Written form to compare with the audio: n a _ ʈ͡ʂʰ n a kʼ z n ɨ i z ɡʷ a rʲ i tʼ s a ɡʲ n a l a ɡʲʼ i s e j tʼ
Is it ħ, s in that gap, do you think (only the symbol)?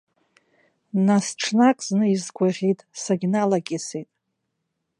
s